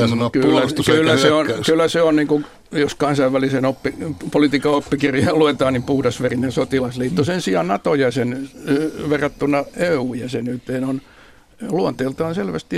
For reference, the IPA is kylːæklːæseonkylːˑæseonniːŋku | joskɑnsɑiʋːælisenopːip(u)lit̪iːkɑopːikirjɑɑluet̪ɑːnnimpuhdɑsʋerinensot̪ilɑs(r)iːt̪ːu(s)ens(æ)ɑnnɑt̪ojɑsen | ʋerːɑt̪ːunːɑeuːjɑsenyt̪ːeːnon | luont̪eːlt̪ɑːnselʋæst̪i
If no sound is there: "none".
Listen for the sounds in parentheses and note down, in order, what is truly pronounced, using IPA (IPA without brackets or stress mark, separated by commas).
o, l, s, i